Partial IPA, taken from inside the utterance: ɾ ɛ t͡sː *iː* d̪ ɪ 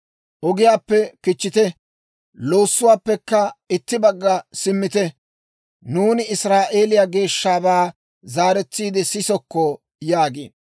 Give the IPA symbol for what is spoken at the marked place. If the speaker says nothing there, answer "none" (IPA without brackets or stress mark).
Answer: iː